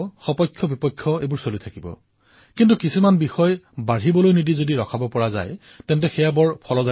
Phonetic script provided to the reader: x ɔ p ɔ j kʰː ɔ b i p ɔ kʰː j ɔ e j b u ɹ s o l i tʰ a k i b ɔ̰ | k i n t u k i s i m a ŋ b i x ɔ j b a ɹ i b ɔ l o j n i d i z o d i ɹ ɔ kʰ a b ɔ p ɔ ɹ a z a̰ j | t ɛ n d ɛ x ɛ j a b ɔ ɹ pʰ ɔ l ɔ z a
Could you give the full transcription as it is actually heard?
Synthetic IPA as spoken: x ɔ p ɔ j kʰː ɔ b i p ɔ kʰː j ɔ e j b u ɹ s o l i tʰ a k i b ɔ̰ | k i n t u k i s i m a n b i x ɔ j b a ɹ i b ɔ l o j n i d i z o d i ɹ ɔ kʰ a b ɔ p ɔ ɹ a z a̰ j | t ɛ n t ɛ x ɛ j a b ɔ ɹ pʰ ɔ l ɔ z a

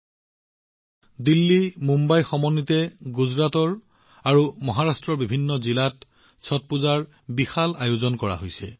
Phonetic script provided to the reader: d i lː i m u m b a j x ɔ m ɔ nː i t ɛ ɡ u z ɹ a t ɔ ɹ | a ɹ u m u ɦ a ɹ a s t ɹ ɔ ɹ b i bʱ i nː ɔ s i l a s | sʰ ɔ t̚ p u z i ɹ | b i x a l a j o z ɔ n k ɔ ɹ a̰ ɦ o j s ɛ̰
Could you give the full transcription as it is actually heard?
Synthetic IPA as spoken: d i lː i m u m b a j x ɔ m ɔ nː i t ɛ ɡ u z ɹ a t ɔ ɹ | a ɹ u m ɔ ɦ a ɹ a s t ɹ ɔ ɹ b i bʱ i nː ɔ z i l a t | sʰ ɔ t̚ p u z a ɹ | b i x a l a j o z ɔ n k ɔ ɹ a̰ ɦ o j s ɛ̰

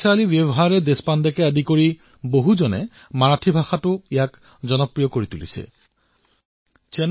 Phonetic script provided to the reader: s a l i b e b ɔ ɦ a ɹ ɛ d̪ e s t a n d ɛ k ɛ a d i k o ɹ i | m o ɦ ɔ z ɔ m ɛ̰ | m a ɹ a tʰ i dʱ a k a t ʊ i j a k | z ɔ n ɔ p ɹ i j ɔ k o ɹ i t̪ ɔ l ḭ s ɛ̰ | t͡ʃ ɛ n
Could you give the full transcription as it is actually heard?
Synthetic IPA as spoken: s a l i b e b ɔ ɦ a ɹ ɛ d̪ e s p a n d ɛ k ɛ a d i k o ɹ i | b o ɦ u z ɔ n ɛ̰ | m a ɹ a tʰ i bʱ a x a t ʊ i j a k | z ɔ n ɔ p ɹ i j ɔ k o ɹ i t̪ u l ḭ s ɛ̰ | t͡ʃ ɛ n

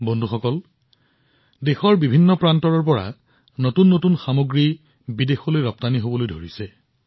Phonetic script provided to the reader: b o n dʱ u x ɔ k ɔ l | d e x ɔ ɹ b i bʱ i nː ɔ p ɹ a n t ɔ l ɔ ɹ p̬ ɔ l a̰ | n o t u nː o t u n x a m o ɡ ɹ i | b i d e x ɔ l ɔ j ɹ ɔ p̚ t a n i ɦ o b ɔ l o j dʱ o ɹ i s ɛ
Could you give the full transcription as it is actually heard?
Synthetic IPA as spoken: b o n dʱ u x ɔ k ɔ l | d e x ɔ ɹ b i bʱ i nː ɔ p ɹ a n t ɔ ɹ ɔ ɹ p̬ ɔ ɹ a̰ | n o t u nː o t u n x a m o ɡ ɹ i | b i d e x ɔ l o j ɹ ɔ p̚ t a n i ɦ o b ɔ l o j dʱ o ɹ i s ɛ

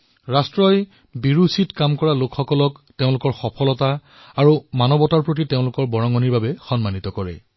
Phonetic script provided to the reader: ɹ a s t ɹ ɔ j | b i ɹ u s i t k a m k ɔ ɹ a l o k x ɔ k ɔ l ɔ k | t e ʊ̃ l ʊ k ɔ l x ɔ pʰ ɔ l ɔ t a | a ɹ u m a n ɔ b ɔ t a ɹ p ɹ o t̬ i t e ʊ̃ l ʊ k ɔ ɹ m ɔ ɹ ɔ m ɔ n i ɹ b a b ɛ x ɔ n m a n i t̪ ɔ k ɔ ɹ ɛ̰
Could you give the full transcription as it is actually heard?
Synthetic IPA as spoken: ɹ a s t ɹ ɔ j | b i ɹ u s i t k a m k ɔ ɹ a l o k x ɔ k ɔ l ɔ k | t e ʊ̃ l ʊ k ɔ ɹ x ɔ pʰ ɔ l ɔ t a | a ɹ u m a n ɔ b ɔ t a ɹ p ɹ o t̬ i t e ʊ̃ l ʊ k ɔ ɹ b ɔ ɹ ɔ ŋ ɔ n i ɹ b a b ɛ x ɔ n m a n i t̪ ɔ k ɔ ɹ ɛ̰

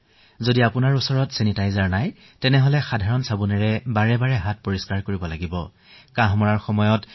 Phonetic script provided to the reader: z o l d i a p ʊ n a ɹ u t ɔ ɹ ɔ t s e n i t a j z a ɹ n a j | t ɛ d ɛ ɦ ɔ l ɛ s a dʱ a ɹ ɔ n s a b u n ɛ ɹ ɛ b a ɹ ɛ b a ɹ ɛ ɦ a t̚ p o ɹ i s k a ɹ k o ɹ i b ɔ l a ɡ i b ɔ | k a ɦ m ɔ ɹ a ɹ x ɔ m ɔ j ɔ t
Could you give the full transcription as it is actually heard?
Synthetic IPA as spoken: z o d i a p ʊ n a ɹ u s ɔ ɹ ɔ t s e n i t a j z a ɹ n a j | t ɛ n ɛ ɦ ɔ l ɛ x a dʱ a ɹ ɔ n s a b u n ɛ ɹ ɛ b a ɹ ɛ b a ɹ ɛ ɦ a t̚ p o ɹ i s k a ɹ k o ɹ i b ɔ l a ɡ i b ɔ | k a ɦ m ɔ ɹ a ɹ x ɔ m ɔ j ɔ t

